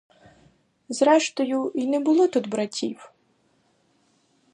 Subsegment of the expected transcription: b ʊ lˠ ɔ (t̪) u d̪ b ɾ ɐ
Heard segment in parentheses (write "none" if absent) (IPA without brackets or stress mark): t̪